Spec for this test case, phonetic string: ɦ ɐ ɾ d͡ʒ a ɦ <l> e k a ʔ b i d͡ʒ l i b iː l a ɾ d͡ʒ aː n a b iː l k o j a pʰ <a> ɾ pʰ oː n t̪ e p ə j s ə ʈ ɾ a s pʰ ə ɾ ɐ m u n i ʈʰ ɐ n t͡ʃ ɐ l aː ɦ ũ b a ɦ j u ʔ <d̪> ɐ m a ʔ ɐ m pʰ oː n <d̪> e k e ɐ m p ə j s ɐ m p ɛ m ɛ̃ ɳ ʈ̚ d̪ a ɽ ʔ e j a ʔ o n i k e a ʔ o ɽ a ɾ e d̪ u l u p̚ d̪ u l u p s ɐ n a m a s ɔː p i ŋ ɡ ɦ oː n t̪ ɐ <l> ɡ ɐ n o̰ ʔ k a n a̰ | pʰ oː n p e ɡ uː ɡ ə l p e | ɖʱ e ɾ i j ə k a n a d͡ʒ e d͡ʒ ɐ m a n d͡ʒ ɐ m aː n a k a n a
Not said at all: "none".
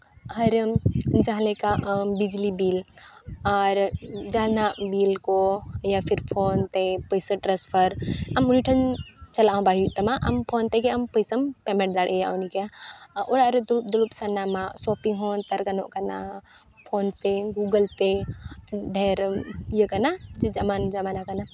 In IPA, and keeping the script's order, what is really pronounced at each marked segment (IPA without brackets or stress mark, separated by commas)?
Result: l, i, t̪, t̪, ɾ